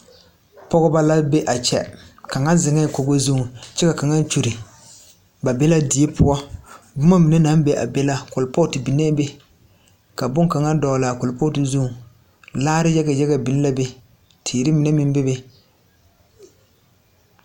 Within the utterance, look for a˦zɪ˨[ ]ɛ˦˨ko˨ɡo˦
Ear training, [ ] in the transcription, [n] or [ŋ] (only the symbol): ŋ